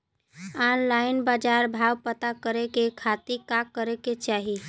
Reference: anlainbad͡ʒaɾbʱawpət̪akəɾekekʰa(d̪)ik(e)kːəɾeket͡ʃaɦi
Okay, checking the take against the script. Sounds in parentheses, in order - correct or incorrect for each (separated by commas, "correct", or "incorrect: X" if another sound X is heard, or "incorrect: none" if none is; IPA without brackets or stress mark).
incorrect: t̪, incorrect: a